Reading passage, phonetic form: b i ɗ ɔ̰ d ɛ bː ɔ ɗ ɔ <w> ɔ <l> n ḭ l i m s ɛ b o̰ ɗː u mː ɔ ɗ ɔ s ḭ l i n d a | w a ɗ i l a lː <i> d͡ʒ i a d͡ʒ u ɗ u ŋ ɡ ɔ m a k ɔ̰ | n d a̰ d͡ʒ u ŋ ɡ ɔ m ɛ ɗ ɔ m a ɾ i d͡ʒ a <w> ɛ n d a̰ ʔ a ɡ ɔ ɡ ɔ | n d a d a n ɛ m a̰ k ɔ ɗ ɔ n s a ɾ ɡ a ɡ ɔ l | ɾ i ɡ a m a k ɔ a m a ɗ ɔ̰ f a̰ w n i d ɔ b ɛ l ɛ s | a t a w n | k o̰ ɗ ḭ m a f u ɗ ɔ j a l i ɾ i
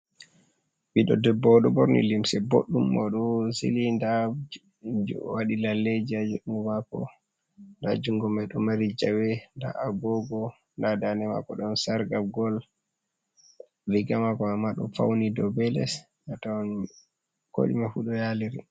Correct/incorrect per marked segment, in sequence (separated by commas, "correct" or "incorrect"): incorrect, incorrect, incorrect, correct